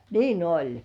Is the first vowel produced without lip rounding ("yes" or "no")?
yes